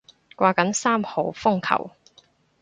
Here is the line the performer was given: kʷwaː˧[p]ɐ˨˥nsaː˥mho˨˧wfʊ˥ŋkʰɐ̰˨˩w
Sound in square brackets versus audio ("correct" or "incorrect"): incorrect